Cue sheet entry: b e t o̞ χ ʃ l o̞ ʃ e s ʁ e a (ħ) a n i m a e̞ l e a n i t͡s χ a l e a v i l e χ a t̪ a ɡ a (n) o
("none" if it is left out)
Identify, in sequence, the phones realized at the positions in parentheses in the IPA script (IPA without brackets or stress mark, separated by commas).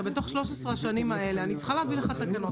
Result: ʃ, n